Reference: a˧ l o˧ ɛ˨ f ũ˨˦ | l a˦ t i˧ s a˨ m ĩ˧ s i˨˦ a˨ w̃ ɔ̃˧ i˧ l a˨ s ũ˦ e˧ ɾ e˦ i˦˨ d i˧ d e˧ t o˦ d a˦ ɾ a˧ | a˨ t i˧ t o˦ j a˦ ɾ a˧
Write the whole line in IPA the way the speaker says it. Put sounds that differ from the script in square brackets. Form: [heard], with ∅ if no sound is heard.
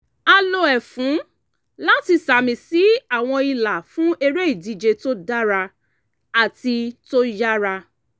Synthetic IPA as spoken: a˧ l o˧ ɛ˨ f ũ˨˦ | l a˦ t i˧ s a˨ m ĩ˧ s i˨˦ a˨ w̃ ɔ̃˧ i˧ l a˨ [f] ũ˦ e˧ ɾ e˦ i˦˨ d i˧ [d͡ʒ] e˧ t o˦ d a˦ ɾ a˧ | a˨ t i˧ t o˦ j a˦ ɾ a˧